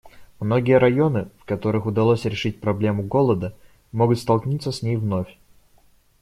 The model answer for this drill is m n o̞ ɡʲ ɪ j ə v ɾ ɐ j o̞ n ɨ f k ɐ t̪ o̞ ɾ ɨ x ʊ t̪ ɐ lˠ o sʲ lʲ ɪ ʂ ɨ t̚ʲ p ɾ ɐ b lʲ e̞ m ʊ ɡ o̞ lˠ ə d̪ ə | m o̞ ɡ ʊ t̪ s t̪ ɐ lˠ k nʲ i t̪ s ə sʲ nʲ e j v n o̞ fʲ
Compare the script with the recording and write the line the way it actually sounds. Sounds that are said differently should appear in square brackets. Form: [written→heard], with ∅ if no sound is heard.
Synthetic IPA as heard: m n o̞ ɡʲ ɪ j ə [v→∅] ɾ ɐ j o̞ n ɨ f k ɐ t̪ o̞ ɾ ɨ x ʊ [t̪→d̪] ɐ lˠ o sʲ [lʲ→ɾʲ] ɪ ʂ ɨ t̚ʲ p ɾ ɐ b lʲ e̞ m ʊ ɡ o̞ lˠ ə d̪ ə | m o̞ ɡ ʊ t̪ s t̪ ɐ lˠ k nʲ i t̪ s ə sʲ nʲ e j v n o̞ fʲ